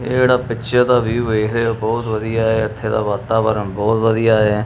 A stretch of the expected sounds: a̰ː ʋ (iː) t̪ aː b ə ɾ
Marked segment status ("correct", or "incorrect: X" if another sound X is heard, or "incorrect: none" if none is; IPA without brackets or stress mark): incorrect: aː